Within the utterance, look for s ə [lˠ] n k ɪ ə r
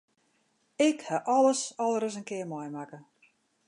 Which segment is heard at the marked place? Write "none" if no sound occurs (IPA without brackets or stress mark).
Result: none